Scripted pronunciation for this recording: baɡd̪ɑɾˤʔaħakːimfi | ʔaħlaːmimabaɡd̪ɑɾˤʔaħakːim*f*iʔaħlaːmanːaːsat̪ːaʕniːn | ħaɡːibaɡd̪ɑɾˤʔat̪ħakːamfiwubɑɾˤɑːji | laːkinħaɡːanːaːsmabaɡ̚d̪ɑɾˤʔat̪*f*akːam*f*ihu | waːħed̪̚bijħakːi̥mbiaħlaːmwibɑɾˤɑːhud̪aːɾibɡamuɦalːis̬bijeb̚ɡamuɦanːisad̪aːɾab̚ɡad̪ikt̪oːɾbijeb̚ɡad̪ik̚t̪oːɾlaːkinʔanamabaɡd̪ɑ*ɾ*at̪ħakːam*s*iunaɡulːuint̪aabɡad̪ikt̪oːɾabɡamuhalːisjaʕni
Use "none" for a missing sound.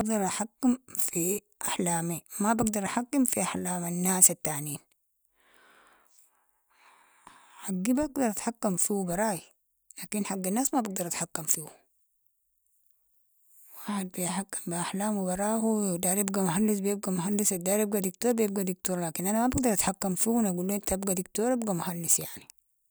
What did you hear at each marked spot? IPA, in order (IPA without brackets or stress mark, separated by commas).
f, ħ, f, ɾ, f